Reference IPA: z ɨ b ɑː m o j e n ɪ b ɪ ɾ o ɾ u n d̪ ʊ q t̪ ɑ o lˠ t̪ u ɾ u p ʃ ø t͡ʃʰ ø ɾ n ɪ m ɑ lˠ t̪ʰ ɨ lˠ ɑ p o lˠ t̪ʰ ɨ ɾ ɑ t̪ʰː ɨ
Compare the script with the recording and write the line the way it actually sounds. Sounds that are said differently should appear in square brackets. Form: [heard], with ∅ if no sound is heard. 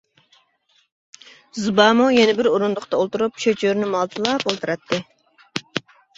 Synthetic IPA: z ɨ b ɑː m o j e n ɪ b ɪ ɾ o ɾ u n d̪ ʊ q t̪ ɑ o lˠ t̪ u ɾ u p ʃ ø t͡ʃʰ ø ɾ n ɪ m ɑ lˠ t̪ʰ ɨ lˠ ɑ p o lˠ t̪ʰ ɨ ɾ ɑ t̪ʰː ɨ